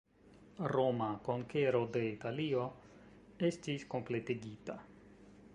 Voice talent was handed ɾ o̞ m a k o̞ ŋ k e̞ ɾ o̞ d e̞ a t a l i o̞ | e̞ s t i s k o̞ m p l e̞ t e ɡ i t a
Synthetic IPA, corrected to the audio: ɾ o̞ m a k o̞ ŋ k e̞ ɾ o̞ d e̞ i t a l i o̞ | e̞ s t i s k o̞ m p l e̞ t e ɡ i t a